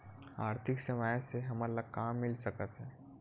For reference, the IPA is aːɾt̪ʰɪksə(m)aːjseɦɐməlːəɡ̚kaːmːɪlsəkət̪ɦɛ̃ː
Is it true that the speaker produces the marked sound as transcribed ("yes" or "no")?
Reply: yes